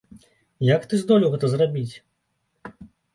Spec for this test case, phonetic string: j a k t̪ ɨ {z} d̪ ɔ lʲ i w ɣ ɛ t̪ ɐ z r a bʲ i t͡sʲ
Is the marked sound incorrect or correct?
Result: correct